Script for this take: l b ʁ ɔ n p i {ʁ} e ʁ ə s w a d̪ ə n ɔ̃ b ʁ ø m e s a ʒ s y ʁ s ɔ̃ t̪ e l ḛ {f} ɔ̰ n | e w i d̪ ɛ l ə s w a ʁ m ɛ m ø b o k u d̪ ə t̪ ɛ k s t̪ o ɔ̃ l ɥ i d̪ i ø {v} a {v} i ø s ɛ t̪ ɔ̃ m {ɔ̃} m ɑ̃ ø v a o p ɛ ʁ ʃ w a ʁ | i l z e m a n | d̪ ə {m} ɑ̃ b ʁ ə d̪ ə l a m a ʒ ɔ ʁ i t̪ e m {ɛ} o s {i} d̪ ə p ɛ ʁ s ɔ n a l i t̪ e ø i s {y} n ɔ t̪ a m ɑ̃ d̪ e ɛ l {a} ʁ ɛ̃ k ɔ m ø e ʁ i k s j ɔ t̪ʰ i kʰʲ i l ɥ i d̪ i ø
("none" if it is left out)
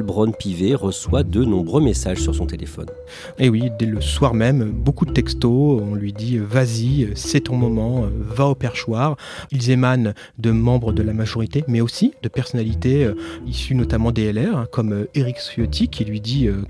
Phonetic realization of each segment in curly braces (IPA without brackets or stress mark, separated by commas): v, f, v, z, ɔ, m, ɛ, i, y, ɛ